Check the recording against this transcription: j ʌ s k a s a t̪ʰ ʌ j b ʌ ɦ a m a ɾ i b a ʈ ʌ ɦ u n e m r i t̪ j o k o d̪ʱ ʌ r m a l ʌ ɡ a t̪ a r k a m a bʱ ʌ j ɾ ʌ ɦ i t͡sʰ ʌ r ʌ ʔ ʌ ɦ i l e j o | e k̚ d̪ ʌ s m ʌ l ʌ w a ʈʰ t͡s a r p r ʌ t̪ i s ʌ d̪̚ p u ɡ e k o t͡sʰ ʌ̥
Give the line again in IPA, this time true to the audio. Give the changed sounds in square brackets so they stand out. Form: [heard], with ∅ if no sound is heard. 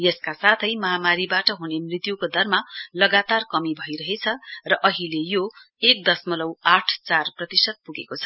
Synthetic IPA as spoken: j ʌ s k a s a t̪ʰ ʌ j [m] ʌ ɦ a m a ɾ i b a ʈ ʌ ɦ u n e m r i t̪ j [u] k o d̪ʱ ʌ r m a l ʌ ɡ a t̪ a r k [ʌ] m [i] bʱ ʌ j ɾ ʌ ɦ [e] t͡sʰ ʌ r ʌ ʔ ʌ ɦ i l e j o | e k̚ d̪ ʌ s m ʌ l ʌ w a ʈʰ t͡s a r p r ʌ t̪ i s ʌ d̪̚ p u ɡ e k o t͡sʰ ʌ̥